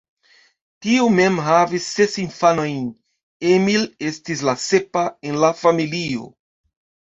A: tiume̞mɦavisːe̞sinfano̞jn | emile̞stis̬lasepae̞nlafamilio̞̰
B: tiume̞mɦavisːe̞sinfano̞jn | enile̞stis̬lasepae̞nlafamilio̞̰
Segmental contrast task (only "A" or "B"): A